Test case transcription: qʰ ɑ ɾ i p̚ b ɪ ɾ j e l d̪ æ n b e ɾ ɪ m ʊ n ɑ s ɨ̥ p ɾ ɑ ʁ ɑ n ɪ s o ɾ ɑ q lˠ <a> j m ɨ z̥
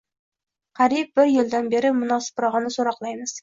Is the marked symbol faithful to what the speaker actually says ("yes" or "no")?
no